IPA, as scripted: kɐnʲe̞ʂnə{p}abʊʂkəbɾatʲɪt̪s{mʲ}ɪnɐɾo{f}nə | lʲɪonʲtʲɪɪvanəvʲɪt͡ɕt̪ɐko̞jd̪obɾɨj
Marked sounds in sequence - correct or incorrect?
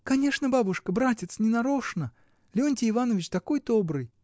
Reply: incorrect: b, incorrect: nʲ, incorrect: ʂ

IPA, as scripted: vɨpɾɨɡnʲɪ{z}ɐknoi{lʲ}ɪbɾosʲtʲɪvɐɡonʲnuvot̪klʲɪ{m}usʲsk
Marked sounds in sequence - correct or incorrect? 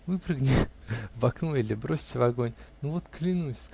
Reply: incorrect: v, correct, incorrect: n

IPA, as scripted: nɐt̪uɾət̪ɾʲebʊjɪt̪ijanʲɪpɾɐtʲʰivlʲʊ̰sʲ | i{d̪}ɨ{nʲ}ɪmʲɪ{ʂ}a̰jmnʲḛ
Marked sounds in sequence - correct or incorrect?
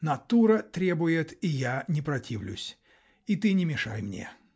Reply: incorrect: t̪, correct, correct

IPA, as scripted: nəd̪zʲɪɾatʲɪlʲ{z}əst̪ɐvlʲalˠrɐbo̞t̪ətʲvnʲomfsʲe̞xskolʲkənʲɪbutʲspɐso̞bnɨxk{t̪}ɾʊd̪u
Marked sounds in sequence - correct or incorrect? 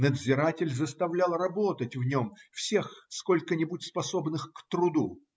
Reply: correct, correct

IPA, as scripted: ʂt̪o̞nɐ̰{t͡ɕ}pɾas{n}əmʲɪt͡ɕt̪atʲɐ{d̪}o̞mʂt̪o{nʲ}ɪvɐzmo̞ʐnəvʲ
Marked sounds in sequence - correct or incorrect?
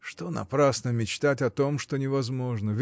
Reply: incorrect: none, correct, incorrect: t̪, correct

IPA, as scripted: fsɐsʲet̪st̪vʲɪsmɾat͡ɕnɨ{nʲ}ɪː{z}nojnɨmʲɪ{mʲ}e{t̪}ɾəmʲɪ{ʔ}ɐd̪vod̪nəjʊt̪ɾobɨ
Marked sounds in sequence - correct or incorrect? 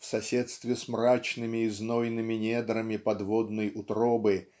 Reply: incorrect: mʲ, correct, incorrect: nʲ, incorrect: d̪, incorrect: p

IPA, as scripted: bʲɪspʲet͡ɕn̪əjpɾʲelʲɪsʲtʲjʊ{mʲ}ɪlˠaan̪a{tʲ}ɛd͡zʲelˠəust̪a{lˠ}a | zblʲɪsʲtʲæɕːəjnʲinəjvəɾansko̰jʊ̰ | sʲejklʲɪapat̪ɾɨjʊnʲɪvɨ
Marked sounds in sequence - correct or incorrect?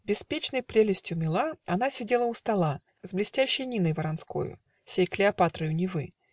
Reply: correct, incorrect: sʲ, correct

